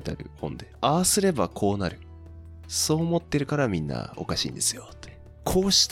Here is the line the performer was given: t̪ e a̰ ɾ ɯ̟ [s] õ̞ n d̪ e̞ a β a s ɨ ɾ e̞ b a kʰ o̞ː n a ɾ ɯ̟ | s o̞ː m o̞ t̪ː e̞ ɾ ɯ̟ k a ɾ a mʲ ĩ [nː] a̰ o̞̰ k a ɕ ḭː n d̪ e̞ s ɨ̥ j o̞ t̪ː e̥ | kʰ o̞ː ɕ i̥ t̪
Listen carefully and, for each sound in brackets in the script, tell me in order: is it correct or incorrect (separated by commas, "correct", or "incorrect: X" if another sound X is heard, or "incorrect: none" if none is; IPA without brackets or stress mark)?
incorrect: h, correct